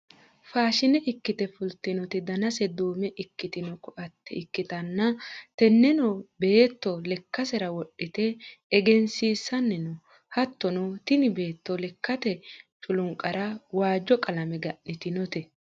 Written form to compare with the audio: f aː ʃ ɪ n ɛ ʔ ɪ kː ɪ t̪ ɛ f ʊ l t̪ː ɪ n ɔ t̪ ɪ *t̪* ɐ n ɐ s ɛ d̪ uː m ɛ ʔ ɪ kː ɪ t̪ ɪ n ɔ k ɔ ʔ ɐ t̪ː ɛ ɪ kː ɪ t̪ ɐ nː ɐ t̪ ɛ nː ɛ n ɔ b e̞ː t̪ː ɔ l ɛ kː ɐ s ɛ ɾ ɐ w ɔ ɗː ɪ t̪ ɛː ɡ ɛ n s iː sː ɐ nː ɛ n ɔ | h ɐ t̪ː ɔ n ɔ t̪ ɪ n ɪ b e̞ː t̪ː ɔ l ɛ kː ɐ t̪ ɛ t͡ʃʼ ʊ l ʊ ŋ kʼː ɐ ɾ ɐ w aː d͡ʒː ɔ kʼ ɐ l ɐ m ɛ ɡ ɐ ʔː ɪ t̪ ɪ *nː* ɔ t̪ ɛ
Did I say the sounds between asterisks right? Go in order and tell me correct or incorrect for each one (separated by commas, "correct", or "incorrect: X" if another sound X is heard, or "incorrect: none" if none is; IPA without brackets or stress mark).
incorrect: d̪, incorrect: n